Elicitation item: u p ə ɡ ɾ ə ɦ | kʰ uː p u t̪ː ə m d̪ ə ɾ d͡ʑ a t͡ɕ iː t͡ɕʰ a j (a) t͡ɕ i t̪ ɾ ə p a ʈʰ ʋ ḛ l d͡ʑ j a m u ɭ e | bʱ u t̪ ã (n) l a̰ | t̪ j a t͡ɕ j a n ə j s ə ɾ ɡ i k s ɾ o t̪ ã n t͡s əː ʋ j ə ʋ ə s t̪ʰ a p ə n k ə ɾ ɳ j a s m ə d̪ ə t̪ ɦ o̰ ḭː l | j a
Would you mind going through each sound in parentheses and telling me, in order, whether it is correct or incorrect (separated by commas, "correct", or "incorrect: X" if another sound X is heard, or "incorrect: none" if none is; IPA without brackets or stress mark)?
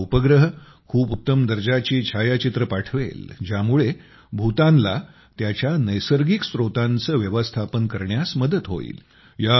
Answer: correct, correct